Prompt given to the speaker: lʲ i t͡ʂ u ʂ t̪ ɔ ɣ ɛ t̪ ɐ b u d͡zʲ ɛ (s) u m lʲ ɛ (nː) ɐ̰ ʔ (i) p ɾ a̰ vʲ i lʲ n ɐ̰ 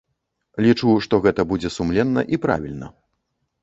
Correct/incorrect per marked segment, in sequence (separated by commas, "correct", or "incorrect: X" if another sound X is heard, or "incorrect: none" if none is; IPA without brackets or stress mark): correct, correct, correct